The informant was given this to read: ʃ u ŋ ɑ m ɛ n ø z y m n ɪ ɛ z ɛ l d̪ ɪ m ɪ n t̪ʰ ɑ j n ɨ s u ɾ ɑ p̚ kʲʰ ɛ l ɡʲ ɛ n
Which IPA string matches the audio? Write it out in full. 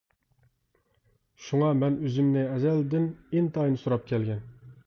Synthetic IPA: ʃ u ŋ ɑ m ɛ n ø z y m n ɪ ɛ z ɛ l d̪ ɪ n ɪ n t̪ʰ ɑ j n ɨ s u ɾ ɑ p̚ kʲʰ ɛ l ɡʲ ɛ n